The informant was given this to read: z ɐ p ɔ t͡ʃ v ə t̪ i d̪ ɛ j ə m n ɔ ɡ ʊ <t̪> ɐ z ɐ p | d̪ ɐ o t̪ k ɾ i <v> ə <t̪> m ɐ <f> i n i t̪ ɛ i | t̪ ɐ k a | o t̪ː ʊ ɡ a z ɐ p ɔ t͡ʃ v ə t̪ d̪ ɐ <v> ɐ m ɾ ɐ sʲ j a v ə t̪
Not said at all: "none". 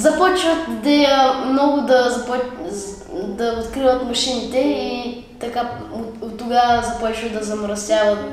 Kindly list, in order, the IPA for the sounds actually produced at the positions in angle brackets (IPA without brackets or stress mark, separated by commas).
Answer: d̪, v, t̪, ʃ, z